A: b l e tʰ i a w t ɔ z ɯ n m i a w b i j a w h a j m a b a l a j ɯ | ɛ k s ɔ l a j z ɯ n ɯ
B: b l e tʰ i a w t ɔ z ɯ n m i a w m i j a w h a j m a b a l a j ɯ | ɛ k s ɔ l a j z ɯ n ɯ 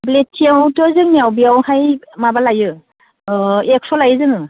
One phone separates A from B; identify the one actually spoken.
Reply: A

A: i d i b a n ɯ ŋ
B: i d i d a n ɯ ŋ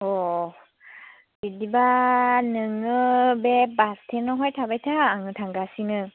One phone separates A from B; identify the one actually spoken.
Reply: A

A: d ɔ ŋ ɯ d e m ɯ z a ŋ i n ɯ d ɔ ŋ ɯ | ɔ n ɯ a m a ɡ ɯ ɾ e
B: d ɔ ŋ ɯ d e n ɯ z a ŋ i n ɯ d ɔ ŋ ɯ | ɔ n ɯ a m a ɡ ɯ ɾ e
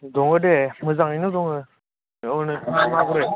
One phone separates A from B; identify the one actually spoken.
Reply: A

